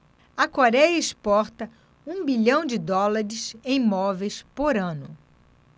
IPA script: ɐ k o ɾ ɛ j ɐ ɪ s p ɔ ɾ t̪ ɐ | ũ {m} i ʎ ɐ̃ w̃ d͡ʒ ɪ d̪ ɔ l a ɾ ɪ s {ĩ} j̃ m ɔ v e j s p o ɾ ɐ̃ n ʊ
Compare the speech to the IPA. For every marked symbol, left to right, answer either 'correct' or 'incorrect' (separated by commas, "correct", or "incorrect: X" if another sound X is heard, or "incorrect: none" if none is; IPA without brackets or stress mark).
incorrect: b, incorrect: ẽ